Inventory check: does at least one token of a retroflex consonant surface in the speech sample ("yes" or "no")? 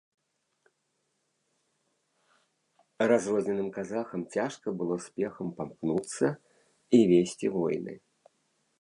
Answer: yes